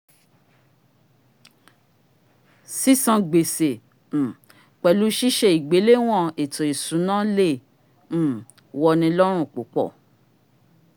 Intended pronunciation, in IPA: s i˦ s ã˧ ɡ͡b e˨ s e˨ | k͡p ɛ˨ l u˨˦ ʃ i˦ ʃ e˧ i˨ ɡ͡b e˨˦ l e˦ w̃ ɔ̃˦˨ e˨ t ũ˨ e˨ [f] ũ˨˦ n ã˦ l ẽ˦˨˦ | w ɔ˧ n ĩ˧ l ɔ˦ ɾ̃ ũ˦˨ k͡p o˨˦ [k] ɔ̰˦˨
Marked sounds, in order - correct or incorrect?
incorrect: s, incorrect: k͡p

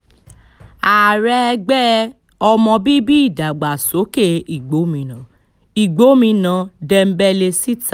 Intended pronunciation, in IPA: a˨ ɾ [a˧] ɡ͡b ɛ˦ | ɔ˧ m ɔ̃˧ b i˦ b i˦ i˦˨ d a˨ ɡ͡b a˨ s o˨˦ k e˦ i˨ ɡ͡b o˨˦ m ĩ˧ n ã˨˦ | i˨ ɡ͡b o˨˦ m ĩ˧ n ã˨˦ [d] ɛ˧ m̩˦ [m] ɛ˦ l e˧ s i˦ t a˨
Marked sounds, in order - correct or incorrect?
incorrect: ɛ˧, correct, incorrect: b

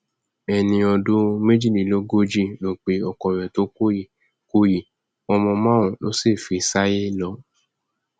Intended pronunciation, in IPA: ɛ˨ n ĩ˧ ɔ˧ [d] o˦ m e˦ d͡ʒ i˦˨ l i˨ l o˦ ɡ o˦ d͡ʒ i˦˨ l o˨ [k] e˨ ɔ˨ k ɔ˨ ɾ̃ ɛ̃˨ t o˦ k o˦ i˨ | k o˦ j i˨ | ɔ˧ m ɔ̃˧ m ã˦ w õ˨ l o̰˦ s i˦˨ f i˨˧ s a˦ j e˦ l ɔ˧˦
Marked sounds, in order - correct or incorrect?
correct, incorrect: k͡p

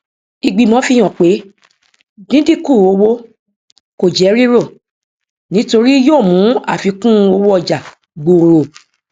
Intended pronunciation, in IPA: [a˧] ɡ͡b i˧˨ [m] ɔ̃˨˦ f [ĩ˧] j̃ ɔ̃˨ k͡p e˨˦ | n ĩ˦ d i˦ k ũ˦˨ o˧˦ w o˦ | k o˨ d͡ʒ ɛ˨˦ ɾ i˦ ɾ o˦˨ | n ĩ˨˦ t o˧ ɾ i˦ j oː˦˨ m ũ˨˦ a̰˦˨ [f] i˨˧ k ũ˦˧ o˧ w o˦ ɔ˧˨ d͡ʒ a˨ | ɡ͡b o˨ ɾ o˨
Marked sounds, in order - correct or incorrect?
incorrect: i˧, correct, incorrect: i˧, correct

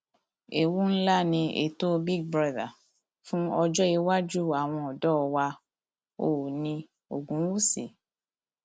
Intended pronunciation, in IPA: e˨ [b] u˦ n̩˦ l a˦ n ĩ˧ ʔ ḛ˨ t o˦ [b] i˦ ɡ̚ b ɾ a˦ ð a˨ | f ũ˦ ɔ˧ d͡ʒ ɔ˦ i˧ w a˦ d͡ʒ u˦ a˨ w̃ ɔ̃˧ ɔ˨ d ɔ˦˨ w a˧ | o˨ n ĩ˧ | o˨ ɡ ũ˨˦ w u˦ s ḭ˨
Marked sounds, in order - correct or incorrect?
incorrect: w, correct

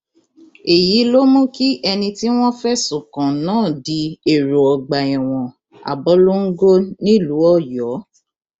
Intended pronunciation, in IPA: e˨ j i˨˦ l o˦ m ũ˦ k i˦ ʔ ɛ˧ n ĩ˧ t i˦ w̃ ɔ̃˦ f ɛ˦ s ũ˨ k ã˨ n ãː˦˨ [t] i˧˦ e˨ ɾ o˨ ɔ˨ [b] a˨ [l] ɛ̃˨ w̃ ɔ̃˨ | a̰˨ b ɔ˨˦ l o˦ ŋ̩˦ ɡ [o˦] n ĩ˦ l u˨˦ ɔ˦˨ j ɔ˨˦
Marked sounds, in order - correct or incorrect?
incorrect: d, incorrect: ɡ͡b, incorrect: none, correct

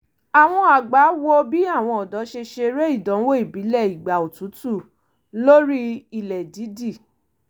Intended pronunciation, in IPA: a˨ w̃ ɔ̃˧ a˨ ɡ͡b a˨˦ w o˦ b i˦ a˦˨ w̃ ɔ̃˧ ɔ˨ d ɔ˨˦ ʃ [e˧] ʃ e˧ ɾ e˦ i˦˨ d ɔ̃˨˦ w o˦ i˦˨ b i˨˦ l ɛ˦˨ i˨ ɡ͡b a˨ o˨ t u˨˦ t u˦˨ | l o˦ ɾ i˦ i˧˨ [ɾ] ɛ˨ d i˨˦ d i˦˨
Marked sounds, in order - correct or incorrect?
correct, incorrect: l

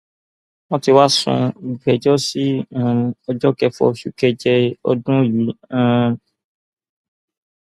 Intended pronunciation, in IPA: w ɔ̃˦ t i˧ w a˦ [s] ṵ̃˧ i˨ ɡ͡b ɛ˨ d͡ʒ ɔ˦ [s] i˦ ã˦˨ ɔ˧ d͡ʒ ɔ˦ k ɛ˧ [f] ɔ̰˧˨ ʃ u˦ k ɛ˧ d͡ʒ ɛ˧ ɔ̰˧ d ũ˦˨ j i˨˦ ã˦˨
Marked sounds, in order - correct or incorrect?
correct, correct, correct

